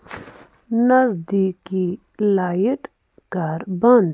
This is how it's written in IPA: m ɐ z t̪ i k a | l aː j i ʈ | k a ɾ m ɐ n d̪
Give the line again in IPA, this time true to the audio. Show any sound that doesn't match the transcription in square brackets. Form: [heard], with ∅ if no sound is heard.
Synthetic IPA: [n] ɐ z [d̪] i k [i] | l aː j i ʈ | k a ɾ [b] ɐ n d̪

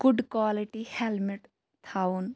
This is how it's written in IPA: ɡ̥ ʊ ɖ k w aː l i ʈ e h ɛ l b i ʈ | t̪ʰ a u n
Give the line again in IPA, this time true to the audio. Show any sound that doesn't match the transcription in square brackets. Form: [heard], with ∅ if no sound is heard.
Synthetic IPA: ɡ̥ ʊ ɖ k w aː l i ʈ [i] h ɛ l [m] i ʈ | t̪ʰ a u n

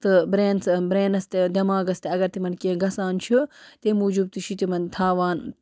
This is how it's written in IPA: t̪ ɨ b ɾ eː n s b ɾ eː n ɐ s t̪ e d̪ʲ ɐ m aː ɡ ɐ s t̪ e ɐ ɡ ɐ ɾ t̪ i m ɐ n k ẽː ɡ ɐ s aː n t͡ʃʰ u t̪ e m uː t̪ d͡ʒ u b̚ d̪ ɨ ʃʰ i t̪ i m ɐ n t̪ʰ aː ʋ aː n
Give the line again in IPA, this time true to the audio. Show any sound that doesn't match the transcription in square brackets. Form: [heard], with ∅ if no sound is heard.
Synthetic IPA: t̪ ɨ b ɾ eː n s b ɾ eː n ɐ s t̪ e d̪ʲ ɐ m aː ɡ ɐ s t̪ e ɐ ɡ ɐ ɾ t̪ i m ɐ n k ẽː ɡ ɐ s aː n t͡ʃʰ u t̪ e m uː [∅] d͡ʒ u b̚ [t̪] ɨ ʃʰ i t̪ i m ɐ n t̪ʰ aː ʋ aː n

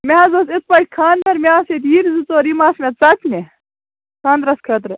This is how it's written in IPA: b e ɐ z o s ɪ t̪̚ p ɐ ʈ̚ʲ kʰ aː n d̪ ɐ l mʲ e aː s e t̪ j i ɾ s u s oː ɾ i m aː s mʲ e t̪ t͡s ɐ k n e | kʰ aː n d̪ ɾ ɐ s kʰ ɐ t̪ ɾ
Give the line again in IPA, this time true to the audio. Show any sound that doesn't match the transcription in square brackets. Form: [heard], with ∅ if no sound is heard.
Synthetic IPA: [m] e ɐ z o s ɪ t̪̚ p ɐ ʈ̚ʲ kʰ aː n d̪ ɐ [ɾ] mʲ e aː s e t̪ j i ɾ [z] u [t͡s] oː ɾ i m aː s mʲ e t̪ t͡s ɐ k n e | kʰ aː n d̪ ɾ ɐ s kʰ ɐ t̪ ɾ

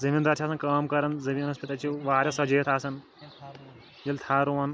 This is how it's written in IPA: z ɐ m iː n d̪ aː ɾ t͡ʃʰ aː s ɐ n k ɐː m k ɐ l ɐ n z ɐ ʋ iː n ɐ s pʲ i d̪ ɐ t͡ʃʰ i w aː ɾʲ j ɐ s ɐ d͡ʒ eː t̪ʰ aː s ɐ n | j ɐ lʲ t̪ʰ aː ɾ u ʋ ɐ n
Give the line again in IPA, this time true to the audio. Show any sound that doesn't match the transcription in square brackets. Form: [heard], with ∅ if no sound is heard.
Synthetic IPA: z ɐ m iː n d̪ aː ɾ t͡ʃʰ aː s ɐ n k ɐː m k ɐ [ɾ] ɐ n z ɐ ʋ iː n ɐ s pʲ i [t̪] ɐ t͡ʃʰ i [ʋ] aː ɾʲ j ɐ s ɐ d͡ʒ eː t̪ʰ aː s ɐ n | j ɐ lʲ t̪ʰ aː ɾ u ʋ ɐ n

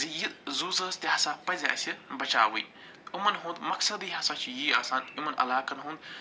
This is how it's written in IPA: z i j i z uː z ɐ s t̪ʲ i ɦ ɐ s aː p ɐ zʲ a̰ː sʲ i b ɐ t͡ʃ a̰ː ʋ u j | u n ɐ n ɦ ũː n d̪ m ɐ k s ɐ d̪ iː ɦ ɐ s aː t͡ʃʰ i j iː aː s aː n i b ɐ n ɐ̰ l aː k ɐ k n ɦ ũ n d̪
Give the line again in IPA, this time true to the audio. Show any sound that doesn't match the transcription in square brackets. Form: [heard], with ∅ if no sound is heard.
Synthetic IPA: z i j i z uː z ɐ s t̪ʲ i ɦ ɐ s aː p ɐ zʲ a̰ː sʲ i b ɐ t͡ʃ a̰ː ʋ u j | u [m] ɐ n ɦ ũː n d̪ m ɐ k s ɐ d̪ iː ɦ ɐ s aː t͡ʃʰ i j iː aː s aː n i [m] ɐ n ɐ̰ l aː k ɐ [∅] n ɦ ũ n d̪

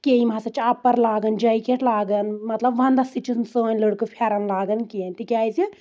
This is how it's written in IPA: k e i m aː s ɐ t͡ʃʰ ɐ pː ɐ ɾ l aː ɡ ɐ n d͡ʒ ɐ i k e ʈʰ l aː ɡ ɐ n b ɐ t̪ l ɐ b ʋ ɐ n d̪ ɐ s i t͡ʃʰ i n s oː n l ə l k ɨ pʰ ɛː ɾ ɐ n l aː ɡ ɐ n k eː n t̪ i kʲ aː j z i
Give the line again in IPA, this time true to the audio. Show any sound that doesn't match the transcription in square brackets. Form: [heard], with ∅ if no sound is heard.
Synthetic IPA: k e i m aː s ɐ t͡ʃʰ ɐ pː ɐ ɾ l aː ɡ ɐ n d͡ʒ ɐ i k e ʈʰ l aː ɡ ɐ n [m] ɐ t̪ l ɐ b ʋ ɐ n d̪ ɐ s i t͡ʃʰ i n s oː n l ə [ɽ] k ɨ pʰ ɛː ɾ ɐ n l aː ɡ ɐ n k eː n t̪ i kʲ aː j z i

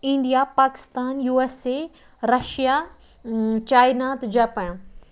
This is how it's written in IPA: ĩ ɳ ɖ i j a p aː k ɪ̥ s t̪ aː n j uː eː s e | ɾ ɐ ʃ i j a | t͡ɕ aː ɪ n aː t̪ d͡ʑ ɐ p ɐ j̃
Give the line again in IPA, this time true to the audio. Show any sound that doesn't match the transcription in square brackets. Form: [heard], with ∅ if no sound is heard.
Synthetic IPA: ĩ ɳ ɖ i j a p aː k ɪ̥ s t̪ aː n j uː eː s e | ɾ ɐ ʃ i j a | t͡ɕ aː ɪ n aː t̪ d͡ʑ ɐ p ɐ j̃

